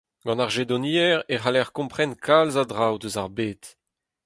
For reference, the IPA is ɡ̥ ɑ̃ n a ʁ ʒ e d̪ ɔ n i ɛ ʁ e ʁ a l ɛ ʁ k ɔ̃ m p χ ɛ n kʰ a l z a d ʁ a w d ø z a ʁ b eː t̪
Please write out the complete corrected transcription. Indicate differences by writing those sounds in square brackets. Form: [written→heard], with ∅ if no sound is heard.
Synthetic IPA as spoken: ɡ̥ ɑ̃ n a ʁ ʒ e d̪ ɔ n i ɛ ʁ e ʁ a l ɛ ʁ k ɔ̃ m p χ ɛ n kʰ a l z a d ʁ a w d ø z a ʁ b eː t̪